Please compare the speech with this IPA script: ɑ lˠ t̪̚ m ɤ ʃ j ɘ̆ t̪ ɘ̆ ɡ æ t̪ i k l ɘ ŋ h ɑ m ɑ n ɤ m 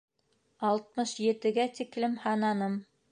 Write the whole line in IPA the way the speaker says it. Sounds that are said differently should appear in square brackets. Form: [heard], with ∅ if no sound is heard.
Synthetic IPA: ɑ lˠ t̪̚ m ɤ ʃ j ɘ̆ t̪ ɘ̆ ɡ æ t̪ i k l ɘ [m] h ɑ [n] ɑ n ɤ m